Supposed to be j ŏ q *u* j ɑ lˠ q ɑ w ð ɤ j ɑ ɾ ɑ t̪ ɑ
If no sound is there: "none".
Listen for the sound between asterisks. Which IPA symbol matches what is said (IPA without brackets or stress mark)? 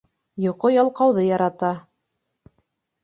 o